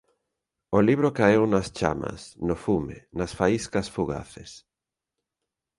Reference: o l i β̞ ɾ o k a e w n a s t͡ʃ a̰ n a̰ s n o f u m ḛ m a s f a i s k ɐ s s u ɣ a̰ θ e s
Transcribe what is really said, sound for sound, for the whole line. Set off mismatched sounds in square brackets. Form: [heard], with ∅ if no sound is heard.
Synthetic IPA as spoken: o l i β̞ ɾ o k a e w n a s t͡ʃ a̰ [m] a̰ s n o f u m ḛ [n] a s f a i s k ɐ s [f] u ɣ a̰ θ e s